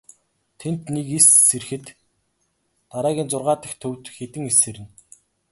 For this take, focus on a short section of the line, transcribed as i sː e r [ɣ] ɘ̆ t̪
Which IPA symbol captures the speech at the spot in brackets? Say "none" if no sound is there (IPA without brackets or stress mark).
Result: x